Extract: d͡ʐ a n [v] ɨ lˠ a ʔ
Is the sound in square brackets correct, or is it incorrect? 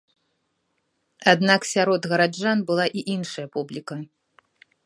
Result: incorrect